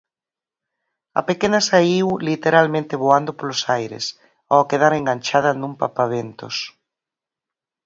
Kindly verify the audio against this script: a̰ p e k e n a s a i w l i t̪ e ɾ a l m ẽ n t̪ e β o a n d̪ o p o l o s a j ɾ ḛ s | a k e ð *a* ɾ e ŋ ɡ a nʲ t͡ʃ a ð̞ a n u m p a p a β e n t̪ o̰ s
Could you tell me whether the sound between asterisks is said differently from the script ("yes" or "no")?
no